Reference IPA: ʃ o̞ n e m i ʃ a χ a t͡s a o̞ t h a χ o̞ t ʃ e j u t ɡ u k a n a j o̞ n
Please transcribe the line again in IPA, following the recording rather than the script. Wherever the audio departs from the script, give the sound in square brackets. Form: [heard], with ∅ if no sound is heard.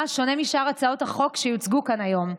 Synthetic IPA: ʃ o̞ n e m i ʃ a [ʁ] a t͡s a o̞ t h a χ o̞ [k] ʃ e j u [t͡s] ɡ u k a n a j o̞ [m]

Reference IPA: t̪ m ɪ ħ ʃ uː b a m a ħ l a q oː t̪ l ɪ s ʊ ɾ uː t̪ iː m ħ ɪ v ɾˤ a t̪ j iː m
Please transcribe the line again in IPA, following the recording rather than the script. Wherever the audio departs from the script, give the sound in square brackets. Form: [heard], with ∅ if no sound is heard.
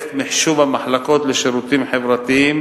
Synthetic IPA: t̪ m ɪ ħ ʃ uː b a m a ħ l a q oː t̪ l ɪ [ʃ] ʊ ɾ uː t̪ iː m ħ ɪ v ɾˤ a t̪ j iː m

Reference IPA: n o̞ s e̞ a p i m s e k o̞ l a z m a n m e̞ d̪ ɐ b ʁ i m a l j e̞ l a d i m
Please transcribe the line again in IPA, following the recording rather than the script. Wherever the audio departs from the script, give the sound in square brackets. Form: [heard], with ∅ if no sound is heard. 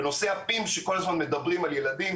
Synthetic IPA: n o̞ s e̞ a p i m [ʃ] e k o̞ l a z m a n m e̞ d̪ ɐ b ʁ i m a l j e̞ l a d i m

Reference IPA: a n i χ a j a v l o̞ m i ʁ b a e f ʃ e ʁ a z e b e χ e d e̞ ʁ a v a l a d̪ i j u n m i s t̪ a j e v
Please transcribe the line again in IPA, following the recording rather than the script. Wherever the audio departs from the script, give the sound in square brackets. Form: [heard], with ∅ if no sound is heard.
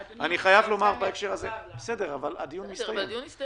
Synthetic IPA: a n i χ a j a v l o̞ m [a] ʁ b a e f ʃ e ʁ a z e b e [s] e d e̞ ʁ a v a l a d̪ i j u n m i s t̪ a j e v

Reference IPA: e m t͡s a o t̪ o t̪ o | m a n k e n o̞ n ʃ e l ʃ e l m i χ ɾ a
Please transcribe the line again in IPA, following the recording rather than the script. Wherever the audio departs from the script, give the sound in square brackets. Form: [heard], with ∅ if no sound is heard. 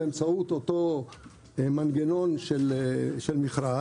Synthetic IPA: e m t͡s a [u] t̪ o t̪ o | m a n [ɡ] e n o̞ n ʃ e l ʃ e l m i χ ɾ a

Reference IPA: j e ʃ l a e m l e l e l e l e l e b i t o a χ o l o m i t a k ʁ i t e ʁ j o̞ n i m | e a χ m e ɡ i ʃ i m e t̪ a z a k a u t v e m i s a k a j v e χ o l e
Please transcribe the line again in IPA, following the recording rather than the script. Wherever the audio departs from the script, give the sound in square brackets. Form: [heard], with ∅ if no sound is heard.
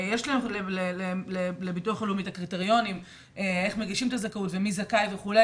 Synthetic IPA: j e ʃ l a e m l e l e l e l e l e b i t [u] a χ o l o m i t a k ʁ i t e ʁ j o̞ n i m | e [e] χ m e ɡ i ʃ i m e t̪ a z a k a u t v e m i [z] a k a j v e χ [u] l e

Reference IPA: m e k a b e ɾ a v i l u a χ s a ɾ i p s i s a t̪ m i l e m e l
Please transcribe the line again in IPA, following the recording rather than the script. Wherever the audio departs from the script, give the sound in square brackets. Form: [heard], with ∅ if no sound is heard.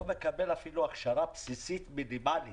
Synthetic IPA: m e k a b e [l] a [f] i l u a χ [ʃ] a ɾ [a] p s i s [i] t̪ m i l [i] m [a] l

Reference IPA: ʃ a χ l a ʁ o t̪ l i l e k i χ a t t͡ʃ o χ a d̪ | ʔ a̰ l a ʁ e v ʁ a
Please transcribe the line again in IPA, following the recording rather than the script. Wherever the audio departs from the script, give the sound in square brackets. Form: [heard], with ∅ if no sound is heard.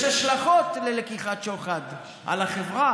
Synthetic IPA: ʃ a [ʃ] l a [χ] o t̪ l [e] l e k i χ a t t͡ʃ o χ a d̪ | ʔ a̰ l a [χ] e v ʁ a

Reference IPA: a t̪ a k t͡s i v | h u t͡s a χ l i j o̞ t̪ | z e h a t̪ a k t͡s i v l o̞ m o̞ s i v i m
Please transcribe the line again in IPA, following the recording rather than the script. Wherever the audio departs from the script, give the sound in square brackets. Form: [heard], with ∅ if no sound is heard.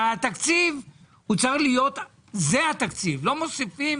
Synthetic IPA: a t̪ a k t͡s i v | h u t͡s a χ l i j o̞ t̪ | z e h a t̪ a k t͡s i v l o̞ m o̞ s i [f] i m

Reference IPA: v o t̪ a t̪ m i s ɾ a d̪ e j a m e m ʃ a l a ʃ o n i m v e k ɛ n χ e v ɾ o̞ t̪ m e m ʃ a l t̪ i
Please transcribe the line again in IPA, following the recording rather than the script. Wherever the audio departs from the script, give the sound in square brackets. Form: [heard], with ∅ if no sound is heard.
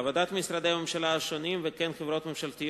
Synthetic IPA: v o [d̪] a t̪ m i s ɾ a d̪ e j a m e m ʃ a l a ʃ o n i m v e k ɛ n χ e v ɾ o̞ t̪ m e m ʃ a l t̪ i

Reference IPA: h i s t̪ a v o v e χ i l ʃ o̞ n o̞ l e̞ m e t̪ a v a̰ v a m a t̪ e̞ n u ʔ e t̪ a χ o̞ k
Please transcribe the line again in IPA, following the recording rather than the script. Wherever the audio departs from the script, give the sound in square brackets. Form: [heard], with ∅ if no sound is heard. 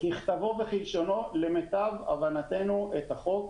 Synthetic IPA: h i [χ] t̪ a v o v e χ i l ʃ o̞ n o̞ l e̞ m e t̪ a v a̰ v a [n] a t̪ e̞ n u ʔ e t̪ a χ o̞ k

